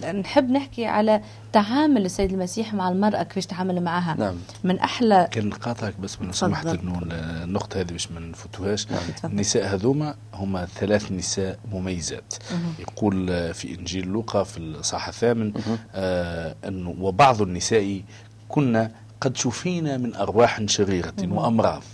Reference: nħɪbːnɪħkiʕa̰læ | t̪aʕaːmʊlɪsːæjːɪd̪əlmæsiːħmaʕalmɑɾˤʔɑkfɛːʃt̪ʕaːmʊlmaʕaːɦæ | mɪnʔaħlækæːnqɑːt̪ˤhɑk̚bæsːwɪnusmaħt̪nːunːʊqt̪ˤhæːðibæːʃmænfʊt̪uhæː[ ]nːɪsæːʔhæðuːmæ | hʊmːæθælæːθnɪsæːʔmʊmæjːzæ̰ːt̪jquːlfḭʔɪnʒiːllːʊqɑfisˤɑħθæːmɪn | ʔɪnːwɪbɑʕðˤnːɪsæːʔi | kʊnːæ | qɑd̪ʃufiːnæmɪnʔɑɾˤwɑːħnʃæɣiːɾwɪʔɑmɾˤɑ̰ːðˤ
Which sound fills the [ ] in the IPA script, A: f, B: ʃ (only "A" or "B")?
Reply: B